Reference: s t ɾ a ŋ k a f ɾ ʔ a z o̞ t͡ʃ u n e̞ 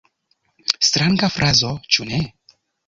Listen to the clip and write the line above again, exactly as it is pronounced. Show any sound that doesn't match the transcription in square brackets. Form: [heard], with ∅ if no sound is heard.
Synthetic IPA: s t ɾ a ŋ [ɡ] a f ɾ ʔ a z o̞ t͡ʃ u n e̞

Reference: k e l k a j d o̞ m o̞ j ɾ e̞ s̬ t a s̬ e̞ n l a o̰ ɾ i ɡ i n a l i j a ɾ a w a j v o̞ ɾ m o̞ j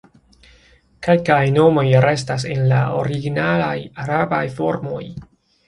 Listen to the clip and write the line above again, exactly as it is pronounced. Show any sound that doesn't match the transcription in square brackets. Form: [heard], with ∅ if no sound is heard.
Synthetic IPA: k e l k a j [n] o̞ m o̞ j ɾ e̞ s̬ t a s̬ e̞ n l a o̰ ɾ i ɡ i n a l [a] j a ɾ a [b] a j [f] o̞ ɾ m o̞ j

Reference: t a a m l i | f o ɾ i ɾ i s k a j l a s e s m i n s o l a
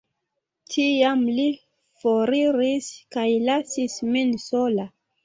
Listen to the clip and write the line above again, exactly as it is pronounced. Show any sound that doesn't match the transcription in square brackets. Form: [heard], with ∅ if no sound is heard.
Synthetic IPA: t [i] a m l i | f o ɾ i ɾ i s k a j l a s [i] s m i n s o l a

